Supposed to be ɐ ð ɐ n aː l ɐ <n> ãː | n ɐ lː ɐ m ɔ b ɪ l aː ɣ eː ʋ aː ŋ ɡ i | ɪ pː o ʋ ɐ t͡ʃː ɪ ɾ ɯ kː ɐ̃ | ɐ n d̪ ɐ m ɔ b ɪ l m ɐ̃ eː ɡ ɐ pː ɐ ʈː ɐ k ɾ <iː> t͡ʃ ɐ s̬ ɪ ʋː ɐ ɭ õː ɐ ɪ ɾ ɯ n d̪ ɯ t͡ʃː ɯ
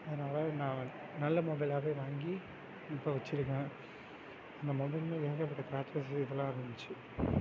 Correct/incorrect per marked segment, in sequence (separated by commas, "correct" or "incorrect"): correct, incorrect